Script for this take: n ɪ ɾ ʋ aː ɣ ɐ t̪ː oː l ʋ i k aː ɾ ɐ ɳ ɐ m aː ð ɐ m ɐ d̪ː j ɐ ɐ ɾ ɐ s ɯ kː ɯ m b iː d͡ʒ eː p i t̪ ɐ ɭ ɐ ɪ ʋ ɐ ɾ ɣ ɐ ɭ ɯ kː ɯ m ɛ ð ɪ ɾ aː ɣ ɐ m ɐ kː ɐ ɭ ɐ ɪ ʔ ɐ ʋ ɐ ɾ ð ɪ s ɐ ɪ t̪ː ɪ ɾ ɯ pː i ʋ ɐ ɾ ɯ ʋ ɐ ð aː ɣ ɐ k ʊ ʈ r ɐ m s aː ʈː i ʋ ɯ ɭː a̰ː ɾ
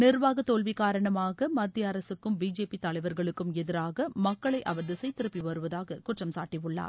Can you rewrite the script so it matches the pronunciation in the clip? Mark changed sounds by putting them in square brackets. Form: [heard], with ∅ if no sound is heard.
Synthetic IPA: n ɪ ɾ ʋ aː ɣ ɐ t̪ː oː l ʋ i k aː ɾ ɐ ɳ ɐ m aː [ɣ] ɐ m ɐ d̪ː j ɐ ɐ ɾ ɐ s ɯ kː ɯ m b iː d͡ʒ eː p i t̪ ɐ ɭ ɐ ɪ ʋ ɐ ɾ ɣ ɐ ɭ ɯ kː ɯ m ɛ ð ɪ ɾ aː ɣ ɐ m ɐ kː ɐ ɭ ɐ ɪ ʔ ɐ ʋ ɐ ɾ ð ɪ s ɐ ɪ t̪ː ɪ ɾ ɯ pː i ʋ ɐ ɾ ɯ ʋ ɐ ð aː ɣ ɐ k ʊ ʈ r ɐ m s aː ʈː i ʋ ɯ ɭː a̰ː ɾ